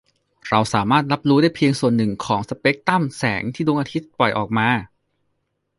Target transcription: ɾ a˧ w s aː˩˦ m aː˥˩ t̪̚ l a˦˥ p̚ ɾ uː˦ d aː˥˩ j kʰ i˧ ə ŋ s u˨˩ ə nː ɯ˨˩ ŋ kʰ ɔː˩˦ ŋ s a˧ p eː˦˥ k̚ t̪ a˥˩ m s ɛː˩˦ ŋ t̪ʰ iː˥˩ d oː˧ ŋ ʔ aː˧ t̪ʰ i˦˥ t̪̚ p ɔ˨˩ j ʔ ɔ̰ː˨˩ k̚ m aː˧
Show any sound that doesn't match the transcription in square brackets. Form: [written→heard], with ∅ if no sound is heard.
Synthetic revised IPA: ɾ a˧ w s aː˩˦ m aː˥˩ t̪̚ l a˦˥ p̚ ɾ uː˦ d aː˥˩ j [kʰ→pʰ] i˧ ə ŋ s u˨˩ ə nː ɯ˨˩ ŋ kʰ ɔː˩˦ ŋ s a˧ p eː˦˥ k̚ t̪ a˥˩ m s ɛː˩˦ ŋ t̪ʰ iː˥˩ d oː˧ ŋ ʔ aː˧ t̪ʰ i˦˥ t̪̚ p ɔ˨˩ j ʔ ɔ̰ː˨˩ k̚ m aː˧